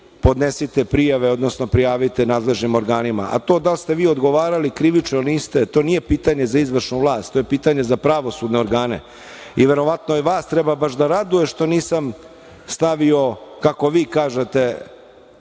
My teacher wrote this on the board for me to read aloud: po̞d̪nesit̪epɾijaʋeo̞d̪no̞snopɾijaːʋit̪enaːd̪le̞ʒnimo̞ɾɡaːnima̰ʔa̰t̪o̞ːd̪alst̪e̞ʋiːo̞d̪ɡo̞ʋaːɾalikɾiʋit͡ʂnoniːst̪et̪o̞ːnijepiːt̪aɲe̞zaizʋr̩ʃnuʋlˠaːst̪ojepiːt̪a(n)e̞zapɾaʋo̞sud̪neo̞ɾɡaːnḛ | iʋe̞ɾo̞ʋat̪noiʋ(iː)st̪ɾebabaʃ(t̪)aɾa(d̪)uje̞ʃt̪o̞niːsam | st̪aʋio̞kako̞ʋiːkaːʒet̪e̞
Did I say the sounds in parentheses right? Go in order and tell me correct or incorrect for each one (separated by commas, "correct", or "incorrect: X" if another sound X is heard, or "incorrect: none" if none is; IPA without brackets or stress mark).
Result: incorrect: ɲ, incorrect: aː, incorrect: d̪, correct